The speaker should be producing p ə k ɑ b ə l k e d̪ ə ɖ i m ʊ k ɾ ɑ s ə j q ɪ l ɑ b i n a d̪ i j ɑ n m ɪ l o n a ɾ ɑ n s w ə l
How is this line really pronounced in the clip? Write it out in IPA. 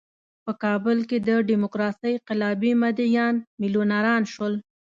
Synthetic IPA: p ə k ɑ b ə l k e d̪ ə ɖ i m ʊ k ɾ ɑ s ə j q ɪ l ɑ b i m a d̪ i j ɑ n m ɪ l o n a ɾ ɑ n ʃ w ə l